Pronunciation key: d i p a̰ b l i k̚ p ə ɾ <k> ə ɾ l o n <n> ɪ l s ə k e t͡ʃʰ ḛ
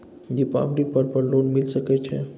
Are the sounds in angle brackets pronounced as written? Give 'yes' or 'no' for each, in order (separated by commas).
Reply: no, no